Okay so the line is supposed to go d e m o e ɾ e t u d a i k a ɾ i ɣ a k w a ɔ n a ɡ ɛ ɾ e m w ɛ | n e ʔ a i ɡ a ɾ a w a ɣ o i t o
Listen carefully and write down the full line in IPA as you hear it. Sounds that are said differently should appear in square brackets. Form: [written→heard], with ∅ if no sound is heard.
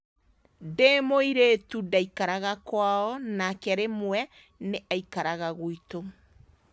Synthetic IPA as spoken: d e m o [e→i] ɾ e t u d a i k a ɾ [i→a] ɣ a k w a ɔ n a [ɡ→k] ɛ ɾ e m w ɛ | n e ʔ a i [ɡ→k] a ɾ a [w→ɣ] a ɣ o i t o